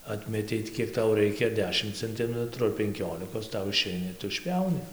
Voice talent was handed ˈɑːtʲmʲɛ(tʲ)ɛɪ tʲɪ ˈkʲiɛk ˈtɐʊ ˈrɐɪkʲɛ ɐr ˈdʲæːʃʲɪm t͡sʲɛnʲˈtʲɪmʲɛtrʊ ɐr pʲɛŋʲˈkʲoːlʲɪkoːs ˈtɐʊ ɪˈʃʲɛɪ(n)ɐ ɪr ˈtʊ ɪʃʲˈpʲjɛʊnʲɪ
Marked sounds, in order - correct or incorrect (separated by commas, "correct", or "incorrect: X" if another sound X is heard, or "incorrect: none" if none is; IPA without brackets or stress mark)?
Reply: correct, correct